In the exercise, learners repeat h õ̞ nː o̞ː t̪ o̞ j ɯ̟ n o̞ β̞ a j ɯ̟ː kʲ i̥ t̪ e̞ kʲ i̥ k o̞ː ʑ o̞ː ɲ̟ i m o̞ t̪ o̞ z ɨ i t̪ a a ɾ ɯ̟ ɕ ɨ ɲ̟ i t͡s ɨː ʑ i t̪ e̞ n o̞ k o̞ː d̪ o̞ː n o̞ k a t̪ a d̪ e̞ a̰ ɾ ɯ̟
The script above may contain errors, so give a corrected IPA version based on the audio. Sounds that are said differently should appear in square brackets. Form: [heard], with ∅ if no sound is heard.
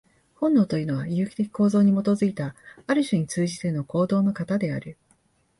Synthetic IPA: h õ̞ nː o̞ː t̪ o̞ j ɯ̟ n o̞ β̞ a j ɯ̟ː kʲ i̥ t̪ e̞ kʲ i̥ k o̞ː [z] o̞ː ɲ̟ i m o̞ t̪ o̞ z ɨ i t̪ a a ɾ ɯ̟ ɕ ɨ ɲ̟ i t͡s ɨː ʑ i t̪ e̞ n o̞ k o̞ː d̪ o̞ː n o̞ k a t̪ a d̪ e̞ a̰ ɾ ɯ̟